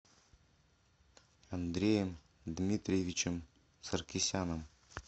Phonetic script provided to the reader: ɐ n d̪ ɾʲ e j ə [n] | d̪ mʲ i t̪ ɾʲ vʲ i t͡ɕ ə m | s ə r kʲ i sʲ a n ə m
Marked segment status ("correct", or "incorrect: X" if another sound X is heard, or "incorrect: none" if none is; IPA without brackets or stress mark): incorrect: m